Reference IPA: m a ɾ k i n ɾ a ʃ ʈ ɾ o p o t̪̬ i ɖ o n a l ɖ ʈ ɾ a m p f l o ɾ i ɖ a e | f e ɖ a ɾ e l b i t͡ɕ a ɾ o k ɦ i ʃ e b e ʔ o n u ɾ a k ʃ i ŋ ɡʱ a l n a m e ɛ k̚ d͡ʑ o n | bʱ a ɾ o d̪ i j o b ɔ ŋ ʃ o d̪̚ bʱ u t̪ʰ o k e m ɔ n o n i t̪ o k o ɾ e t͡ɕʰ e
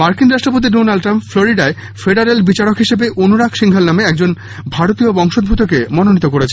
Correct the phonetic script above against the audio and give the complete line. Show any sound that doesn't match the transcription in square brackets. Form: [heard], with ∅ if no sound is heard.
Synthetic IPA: m a ɾ k i n ɾ a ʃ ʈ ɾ o p o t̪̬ i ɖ o n a l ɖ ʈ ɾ a m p f l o ɾ i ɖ a e | f e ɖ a ɾ e l b i t͡ɕ a ɾ o k ɦ i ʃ e b e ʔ o n u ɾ a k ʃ i ŋ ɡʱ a l n a m e ɛ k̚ d͡ʑ o n | bʱ a ɾ o [t̪] i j o b ɔ ŋ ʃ o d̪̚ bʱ u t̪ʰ o k e m ɔ n o n i t̪ o k o ɾ e t͡ɕʰ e